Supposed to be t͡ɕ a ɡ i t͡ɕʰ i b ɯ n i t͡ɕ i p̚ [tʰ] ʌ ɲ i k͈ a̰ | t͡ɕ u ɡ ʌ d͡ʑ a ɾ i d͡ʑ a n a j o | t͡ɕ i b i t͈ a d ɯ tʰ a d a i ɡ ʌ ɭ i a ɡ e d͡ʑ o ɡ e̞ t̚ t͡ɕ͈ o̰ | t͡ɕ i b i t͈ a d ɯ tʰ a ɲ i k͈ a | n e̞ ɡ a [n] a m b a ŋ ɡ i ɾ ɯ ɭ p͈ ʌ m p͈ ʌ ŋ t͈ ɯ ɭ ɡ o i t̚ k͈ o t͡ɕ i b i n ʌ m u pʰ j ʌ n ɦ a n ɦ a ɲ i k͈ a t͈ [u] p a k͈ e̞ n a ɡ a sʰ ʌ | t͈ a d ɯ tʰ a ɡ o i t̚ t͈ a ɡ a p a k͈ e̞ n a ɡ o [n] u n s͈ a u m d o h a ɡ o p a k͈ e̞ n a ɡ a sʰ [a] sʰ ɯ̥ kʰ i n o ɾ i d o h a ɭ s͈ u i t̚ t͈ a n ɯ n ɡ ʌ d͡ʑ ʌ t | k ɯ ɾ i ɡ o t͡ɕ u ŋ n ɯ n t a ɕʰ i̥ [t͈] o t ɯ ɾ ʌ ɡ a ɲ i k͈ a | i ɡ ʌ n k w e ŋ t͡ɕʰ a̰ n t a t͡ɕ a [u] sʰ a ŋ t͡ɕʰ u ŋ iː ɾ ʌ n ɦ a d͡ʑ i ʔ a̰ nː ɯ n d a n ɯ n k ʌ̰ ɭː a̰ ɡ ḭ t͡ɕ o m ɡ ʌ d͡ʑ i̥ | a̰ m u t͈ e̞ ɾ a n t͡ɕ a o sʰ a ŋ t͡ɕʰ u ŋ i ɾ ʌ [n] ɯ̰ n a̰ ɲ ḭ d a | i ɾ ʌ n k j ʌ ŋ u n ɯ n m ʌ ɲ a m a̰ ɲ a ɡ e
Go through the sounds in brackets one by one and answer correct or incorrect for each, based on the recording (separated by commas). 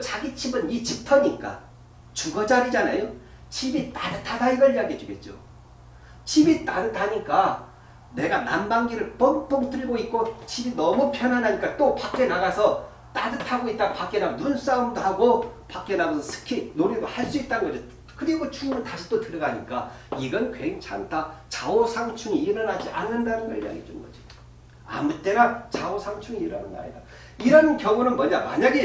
correct, correct, incorrect, correct, incorrect, correct, incorrect, correct